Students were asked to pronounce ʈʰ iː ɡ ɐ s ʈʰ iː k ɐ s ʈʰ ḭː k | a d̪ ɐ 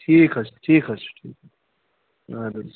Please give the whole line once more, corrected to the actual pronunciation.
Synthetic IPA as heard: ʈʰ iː k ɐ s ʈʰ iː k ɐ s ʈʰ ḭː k | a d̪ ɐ